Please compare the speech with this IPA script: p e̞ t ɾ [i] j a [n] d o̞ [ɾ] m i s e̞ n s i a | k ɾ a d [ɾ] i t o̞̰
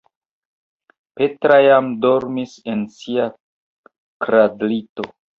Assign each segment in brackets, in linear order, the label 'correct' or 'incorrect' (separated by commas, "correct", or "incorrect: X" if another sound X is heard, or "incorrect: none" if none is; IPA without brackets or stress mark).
incorrect: a, incorrect: m, correct, incorrect: l